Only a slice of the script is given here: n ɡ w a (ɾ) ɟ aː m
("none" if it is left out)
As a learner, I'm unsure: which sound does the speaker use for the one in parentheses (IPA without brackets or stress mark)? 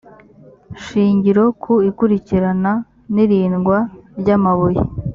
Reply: ɾ